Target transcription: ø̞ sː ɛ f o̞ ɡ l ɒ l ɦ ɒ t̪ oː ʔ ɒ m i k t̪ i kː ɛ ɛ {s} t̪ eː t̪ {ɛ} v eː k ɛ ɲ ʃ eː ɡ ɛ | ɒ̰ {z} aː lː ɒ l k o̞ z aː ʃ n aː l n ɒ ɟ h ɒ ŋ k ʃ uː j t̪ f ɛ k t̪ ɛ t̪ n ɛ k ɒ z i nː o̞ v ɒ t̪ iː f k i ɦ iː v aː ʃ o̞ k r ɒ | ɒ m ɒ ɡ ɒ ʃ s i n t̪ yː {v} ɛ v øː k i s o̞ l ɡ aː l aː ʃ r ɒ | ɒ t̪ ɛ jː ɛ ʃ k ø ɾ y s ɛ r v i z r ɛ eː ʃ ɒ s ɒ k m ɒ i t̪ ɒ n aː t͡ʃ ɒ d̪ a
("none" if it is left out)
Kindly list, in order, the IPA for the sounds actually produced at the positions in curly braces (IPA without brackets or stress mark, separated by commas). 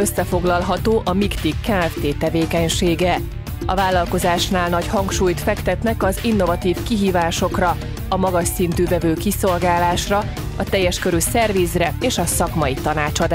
f, ɛ, v, v